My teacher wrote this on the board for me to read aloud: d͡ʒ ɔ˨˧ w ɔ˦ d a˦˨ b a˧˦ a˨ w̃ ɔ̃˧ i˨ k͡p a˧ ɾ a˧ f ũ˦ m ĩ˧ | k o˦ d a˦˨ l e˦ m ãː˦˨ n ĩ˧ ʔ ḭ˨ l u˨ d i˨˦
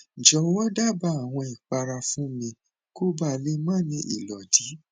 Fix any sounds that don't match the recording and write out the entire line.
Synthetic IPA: d͡ʒ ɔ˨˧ w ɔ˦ d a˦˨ b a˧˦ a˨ w̃ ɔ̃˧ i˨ k͡p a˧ ɾ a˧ f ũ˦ m ĩ˧ | k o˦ b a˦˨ l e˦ m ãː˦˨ n ĩ˧ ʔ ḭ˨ l ɔ˨ d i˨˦